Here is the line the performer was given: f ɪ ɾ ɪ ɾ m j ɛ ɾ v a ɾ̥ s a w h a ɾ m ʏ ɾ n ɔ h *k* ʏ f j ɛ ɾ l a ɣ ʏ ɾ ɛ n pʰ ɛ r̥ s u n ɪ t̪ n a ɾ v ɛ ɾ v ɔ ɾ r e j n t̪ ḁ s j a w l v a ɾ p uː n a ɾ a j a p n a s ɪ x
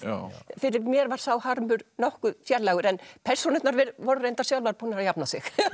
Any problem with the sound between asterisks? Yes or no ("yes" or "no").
no